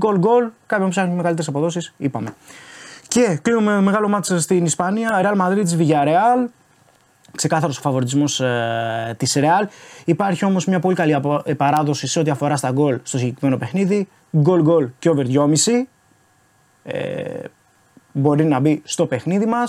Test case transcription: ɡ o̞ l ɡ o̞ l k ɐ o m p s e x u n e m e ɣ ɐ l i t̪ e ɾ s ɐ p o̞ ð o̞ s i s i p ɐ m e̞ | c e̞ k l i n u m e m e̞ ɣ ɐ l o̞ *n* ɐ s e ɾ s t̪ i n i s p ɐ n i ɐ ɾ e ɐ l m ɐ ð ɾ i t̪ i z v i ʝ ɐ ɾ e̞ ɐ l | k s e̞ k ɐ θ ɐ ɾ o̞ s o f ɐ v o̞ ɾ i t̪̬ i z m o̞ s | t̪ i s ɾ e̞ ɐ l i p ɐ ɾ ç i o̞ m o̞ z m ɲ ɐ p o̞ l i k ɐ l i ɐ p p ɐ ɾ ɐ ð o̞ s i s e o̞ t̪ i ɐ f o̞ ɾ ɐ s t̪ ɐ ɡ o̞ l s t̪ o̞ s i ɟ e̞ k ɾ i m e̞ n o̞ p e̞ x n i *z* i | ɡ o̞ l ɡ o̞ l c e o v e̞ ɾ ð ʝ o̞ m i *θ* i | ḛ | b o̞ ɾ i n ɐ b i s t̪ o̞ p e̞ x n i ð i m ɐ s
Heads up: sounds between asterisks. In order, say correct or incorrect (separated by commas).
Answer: incorrect, incorrect, incorrect